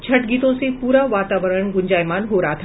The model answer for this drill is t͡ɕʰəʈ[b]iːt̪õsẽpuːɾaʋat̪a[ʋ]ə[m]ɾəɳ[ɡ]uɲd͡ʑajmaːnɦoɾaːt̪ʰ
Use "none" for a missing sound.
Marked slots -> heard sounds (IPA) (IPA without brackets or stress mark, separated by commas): ɡ, ʋ, none, ɡ